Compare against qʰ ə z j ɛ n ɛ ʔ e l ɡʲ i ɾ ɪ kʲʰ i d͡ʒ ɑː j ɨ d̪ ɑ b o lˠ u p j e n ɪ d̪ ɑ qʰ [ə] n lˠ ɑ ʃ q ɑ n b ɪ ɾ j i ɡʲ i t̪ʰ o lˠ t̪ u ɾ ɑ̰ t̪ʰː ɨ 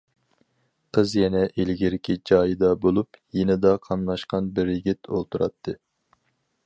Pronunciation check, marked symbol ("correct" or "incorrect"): incorrect